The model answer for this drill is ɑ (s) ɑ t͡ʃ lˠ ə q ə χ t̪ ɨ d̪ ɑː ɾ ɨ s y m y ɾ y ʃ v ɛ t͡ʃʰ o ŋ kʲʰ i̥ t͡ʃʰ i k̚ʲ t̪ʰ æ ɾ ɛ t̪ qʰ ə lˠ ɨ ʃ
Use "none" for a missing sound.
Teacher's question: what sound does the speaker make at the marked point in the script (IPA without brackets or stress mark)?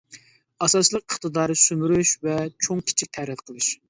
s